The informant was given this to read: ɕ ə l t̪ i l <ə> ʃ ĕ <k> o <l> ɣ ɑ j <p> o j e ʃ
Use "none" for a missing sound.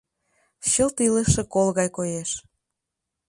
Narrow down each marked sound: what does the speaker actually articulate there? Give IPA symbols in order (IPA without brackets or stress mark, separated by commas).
ə, k, l, k